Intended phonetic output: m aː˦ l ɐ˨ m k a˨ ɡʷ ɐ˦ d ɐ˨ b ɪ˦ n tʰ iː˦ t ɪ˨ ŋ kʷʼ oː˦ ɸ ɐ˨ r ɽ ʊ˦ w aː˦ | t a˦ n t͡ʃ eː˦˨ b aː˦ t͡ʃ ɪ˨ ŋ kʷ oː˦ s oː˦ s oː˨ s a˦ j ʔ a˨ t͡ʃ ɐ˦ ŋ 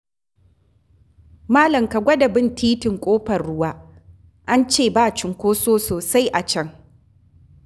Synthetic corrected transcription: m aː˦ l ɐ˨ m k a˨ ɡʷ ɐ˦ d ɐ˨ b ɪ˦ n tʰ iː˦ t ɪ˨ ŋ kʷʼ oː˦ ɸ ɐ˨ r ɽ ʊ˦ w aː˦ | ʔ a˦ n t͡ʃ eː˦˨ b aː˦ t͡ʃ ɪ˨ ŋ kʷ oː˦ s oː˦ s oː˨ s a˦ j ʔ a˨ t͡ʃ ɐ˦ ŋ